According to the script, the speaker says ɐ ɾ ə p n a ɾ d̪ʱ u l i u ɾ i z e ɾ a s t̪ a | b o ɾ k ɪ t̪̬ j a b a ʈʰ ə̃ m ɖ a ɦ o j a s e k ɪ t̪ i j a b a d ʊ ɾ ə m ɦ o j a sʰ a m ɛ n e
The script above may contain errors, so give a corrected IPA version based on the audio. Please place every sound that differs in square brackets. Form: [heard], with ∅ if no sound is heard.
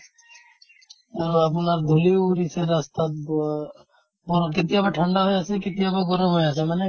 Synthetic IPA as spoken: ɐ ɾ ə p n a ɾ d̪ʱ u l i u ɾ i [s] e ɾ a s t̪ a | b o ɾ k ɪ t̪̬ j a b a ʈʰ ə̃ [ɳ] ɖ a ɦ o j a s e k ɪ t̪ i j a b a [ɡ] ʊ ɾ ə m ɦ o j a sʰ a m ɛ n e